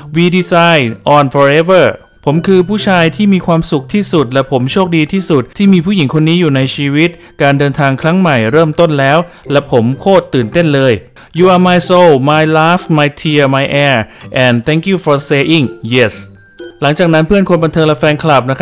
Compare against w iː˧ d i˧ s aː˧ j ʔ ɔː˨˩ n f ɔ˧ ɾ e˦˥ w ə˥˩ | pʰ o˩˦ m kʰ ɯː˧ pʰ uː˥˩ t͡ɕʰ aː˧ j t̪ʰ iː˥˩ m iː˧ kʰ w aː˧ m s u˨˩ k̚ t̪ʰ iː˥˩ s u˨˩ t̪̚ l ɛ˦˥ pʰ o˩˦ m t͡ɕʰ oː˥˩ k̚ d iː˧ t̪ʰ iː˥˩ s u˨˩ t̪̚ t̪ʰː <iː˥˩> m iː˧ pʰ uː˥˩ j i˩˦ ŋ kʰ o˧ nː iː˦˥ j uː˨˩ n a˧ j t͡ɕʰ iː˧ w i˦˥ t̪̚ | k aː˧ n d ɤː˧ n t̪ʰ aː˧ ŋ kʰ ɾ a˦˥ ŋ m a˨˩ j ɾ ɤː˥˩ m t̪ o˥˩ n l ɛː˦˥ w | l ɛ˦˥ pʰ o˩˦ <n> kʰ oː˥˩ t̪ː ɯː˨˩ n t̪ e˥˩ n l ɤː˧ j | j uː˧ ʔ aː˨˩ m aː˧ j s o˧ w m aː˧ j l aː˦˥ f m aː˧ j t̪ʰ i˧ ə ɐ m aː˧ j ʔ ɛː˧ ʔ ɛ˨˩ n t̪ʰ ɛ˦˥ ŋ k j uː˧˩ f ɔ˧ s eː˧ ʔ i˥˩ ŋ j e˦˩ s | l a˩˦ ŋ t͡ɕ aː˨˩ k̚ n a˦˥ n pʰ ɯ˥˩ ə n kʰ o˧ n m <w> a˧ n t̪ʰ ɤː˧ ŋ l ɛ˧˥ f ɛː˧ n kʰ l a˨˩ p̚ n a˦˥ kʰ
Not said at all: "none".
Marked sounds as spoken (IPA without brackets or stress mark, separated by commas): iː˥˩, m, b